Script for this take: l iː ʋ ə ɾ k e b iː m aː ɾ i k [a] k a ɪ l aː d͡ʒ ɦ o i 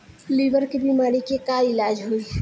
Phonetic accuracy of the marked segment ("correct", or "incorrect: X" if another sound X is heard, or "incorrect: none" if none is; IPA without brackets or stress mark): incorrect: e